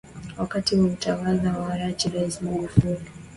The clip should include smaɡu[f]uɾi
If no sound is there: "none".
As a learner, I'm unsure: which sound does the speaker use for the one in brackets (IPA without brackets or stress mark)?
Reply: f